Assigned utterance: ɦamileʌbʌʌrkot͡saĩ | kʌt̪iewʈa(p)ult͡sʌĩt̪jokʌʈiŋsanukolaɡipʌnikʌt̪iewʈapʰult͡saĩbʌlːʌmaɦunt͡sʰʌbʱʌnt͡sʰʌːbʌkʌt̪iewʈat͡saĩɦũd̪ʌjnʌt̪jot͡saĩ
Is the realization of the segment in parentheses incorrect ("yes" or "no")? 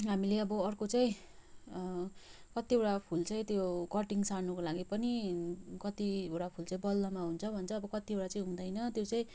yes